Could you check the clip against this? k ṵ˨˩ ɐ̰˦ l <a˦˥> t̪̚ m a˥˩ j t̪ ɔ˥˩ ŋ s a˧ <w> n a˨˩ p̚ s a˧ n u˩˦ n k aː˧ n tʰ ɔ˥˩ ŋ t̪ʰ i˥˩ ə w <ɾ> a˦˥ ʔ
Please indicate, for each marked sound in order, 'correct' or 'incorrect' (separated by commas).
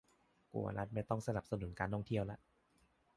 correct, incorrect, incorrect